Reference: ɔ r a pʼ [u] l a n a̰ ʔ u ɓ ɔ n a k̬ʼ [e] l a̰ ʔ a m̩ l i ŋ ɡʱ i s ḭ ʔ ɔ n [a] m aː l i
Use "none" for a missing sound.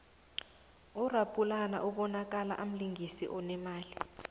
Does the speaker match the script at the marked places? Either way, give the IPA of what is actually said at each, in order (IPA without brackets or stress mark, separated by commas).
u, a, ɛ